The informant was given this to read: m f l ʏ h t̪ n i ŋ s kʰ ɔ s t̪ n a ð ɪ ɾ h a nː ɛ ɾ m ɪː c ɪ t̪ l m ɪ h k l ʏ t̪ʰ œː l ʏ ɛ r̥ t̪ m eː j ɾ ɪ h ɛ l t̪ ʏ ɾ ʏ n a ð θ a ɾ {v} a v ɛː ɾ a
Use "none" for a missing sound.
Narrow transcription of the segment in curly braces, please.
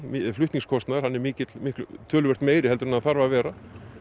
v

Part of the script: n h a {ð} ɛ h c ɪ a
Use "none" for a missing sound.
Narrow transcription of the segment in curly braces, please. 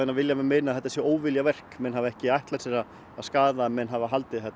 v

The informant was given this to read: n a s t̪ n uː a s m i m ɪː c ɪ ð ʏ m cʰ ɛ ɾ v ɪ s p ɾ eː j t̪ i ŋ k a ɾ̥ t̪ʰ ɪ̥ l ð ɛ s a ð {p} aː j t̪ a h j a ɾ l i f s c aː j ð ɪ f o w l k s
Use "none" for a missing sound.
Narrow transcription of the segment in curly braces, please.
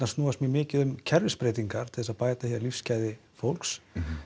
p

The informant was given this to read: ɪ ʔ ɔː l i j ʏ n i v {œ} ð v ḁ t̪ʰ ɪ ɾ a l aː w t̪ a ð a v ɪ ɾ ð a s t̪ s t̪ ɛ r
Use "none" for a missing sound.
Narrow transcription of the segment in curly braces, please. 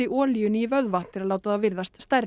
œ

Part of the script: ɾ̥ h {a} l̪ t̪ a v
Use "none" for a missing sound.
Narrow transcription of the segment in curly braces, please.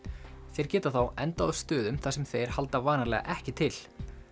a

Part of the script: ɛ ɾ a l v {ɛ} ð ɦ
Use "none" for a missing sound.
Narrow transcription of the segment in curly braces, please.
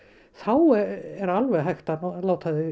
ɛ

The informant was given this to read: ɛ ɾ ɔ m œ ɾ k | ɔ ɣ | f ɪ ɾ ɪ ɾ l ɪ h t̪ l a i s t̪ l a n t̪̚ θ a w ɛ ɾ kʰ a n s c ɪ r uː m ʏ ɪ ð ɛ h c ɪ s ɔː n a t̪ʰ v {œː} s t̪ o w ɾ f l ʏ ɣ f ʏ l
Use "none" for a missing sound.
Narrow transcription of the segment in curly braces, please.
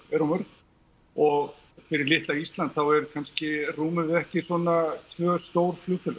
œː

